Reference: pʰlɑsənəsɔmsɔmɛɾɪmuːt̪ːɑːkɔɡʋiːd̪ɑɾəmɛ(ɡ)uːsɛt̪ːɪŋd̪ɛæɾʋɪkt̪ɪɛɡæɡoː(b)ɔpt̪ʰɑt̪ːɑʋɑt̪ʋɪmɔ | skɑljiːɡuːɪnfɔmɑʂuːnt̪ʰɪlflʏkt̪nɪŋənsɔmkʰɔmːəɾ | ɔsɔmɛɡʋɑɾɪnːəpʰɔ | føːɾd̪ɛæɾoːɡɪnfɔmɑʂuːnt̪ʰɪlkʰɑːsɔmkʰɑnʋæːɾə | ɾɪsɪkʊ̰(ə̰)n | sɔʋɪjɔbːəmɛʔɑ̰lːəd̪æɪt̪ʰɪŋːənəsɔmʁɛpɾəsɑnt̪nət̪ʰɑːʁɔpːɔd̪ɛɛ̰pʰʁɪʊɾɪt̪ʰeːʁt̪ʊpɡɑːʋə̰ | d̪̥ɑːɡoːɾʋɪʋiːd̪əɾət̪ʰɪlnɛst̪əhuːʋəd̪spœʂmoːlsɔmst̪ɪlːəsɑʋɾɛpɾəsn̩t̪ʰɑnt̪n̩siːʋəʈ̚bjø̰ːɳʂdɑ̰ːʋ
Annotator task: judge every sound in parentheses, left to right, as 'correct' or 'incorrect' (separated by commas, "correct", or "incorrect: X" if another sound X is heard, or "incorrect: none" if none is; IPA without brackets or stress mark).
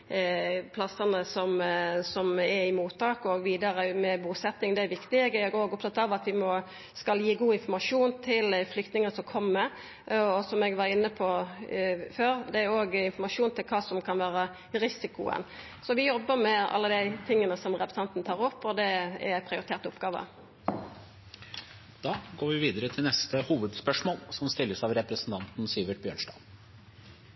incorrect: b, incorrect: ɡ, correct